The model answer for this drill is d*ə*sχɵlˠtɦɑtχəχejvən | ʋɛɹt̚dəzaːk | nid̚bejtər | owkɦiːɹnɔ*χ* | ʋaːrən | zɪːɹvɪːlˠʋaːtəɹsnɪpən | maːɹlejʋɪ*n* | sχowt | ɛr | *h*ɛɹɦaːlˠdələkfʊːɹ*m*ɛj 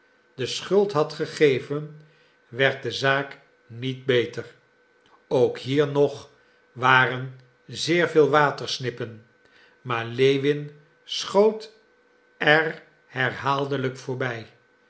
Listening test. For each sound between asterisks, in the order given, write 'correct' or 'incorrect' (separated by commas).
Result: correct, correct, correct, correct, incorrect